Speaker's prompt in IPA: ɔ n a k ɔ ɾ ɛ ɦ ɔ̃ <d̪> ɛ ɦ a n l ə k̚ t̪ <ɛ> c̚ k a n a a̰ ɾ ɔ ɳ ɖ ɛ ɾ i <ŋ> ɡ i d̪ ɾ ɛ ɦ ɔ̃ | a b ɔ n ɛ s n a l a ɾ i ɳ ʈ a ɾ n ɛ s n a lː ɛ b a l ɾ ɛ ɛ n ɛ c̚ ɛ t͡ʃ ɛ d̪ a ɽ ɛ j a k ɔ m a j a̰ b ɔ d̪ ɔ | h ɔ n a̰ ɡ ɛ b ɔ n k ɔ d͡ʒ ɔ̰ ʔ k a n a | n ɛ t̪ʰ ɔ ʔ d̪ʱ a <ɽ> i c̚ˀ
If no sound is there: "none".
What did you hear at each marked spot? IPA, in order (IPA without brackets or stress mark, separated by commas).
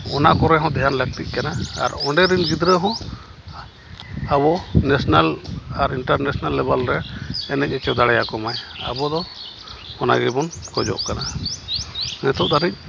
d̪, i, n, ɾ